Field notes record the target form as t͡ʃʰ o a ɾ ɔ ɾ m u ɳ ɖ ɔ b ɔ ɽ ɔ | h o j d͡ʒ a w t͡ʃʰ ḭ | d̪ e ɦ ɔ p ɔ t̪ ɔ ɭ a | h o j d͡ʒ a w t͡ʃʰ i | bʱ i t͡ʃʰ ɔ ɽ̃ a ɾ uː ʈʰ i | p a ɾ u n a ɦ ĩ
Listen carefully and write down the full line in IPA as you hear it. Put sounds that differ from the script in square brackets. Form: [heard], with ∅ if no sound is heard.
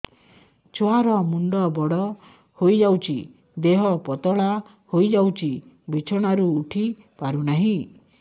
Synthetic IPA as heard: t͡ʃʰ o a ɾ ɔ [∅] m u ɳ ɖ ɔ b ɔ ɽ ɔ | h o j d͡ʒ a w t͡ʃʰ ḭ | d̪ e ɦ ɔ p ɔ t̪ ɔ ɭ a | h o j d͡ʒ a w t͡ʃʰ i | bʱ i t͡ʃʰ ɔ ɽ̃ a ɾ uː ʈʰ i | p a ɾ u n a ɦ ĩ

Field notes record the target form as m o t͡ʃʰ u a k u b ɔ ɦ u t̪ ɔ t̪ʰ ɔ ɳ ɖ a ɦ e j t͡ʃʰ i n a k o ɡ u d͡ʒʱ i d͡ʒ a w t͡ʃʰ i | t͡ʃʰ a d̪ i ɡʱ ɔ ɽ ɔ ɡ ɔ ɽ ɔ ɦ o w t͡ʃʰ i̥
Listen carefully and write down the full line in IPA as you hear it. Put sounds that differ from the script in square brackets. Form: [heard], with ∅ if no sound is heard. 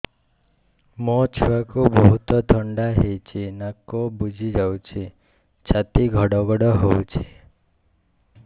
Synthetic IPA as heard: m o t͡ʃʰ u a k u b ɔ ɦ u t̪ ɔ t̪ʰ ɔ ɳ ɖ a ɦ e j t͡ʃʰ i n a k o [b] u d͡ʒʱ i d͡ʒ a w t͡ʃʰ i | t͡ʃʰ a [t̪] i ɡʱ ɔ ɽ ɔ ɡ ɔ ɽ ɔ ɦ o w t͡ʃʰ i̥

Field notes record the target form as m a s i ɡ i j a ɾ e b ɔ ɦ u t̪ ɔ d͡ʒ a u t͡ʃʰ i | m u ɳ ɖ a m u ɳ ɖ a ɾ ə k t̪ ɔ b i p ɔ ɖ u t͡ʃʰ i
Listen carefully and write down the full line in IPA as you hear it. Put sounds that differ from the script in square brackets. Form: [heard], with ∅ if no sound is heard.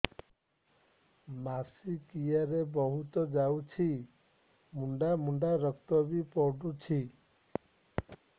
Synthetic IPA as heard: m a s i [k] i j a ɾ e b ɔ ɦ u t̪ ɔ d͡ʒ a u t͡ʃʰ i | m u ɳ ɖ a m u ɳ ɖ a ɾ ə k t̪ ɔ b i p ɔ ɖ u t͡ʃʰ i

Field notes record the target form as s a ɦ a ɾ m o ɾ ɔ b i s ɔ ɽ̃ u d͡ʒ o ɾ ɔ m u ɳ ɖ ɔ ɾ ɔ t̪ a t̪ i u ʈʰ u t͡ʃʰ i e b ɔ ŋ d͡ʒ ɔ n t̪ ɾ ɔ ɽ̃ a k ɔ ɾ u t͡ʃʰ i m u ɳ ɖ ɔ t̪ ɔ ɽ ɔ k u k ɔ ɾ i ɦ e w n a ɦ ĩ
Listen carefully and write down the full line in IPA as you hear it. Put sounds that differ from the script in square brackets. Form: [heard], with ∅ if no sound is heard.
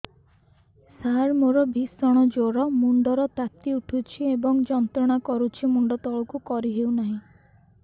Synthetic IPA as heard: s a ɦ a ɾ m o ɾ ɔ b i s ɔ ɽ̃ [ɔ] d͡ʒ o ɾ ɔ m u ɳ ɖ ɔ ɾ ɔ t̪ a t̪ i u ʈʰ u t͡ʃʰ i e b ɔ ŋ d͡ʒ ɔ n t̪ ɾ ɔ ɽ̃ a k ɔ ɾ u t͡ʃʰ i m u ɳ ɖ ɔ t̪ ɔ [ɭ] ɔ k u k ɔ ɾ i ɦ e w n a ɦ ĩ

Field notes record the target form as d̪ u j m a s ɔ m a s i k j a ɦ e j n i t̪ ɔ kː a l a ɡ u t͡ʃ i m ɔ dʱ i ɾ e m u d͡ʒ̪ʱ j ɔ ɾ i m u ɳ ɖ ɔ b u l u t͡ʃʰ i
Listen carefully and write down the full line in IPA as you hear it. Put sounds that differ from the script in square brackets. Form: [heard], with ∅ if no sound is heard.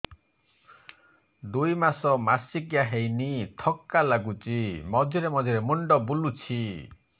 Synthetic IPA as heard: d̪ u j m a s ɔ m a s i k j a ɦ e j n i [t̪ʰ] ɔ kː a l a ɡ u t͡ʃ i m ɔ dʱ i ɾ e m [ɔ] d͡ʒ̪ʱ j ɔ ɾ [e] m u ɳ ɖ ɔ b u l u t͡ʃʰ i

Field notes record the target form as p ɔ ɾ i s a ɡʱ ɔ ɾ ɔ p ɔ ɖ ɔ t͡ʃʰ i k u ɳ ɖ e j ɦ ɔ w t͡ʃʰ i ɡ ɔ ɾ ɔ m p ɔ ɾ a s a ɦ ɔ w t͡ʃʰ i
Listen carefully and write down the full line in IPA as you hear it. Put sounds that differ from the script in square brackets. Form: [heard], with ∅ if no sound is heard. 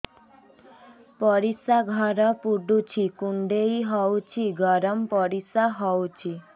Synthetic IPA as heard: p ɔ ɾ i s a ɡʱ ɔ ɾ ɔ p [u] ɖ [u] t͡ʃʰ i k u ɳ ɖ e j ɦ ɔ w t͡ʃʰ i ɡ ɔ ɾ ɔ m p ɔ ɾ [i] s a ɦ ɔ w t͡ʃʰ i

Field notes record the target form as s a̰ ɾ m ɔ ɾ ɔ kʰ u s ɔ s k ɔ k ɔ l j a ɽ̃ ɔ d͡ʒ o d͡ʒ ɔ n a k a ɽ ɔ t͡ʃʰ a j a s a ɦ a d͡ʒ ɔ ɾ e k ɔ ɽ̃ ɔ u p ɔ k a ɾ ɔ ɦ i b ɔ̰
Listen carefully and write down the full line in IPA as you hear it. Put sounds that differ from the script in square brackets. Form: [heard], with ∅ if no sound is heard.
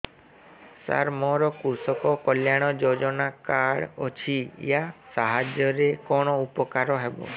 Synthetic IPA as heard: s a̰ ɾ m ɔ ɾ ɔ [k] u s ɔ [∅] k ɔ k ɔ l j a ɽ̃ ɔ d͡ʒ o d͡ʒ ɔ n a k a ɽ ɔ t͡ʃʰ [i] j a s a ɦ a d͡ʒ ɔ ɾ e k ɔ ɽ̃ ɔ u p ɔ k a ɾ ɔ ɦ [e] b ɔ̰

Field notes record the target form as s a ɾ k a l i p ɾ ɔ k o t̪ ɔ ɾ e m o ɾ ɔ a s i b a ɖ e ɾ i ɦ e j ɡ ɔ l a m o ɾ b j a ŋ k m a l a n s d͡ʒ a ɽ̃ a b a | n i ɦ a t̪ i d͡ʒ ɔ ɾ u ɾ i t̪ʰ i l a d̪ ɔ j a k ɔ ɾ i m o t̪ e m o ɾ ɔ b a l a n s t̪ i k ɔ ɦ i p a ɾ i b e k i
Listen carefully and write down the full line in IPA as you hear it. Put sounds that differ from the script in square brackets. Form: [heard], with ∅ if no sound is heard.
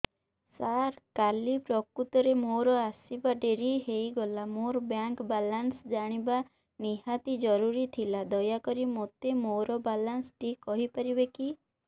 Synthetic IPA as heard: s a ɾ k a l i p ɾ ɔ k [u] t̪ ɔ ɾ e m o ɾ ɔ a s i b a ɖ e ɾ i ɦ e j ɡ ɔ l a m o ɾ b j a ŋ k [b] a l a n s d͡ʒ a ɽ̃ [i] b a | n i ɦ a t̪ i d͡ʒ ɔ ɾ u ɾ i t̪ʰ i l a d̪ ɔ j a k ɔ ɾ i m o t̪ e m o ɾ ɔ b a l a n s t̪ i k ɔ ɦ i p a ɾ i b e k i

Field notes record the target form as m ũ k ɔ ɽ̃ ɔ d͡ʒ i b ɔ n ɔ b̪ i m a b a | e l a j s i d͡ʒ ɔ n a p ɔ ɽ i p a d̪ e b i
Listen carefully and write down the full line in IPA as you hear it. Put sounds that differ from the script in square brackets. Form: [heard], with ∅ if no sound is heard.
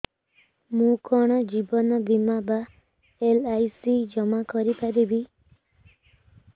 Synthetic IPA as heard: m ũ k ɔ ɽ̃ ɔ d͡ʒ i b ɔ n ɔ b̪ i m a b a | e l a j s i d͡ʒ ɔ [m] a [k] ɔ [ɾ] i p a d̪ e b i

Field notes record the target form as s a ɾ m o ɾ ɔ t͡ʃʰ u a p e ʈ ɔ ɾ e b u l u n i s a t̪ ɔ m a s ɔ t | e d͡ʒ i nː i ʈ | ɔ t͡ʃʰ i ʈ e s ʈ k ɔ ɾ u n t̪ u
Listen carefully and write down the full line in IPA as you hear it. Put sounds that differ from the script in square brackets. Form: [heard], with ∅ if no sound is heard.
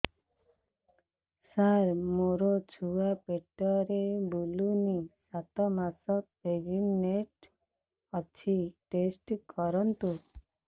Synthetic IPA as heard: s a ɾ m o ɾ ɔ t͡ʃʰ u a p e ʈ ɔ ɾ e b u l u n i s a t̪ ɔ m a s ɔ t | e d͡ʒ i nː [e] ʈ | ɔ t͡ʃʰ i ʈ e s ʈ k ɔ ɾ [ɔ] n t̪ u

